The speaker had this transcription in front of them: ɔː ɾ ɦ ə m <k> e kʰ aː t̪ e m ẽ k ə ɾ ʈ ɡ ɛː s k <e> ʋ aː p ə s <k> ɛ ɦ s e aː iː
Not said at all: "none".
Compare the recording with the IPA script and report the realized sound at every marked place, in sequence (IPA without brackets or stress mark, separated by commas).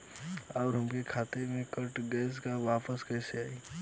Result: k, a, k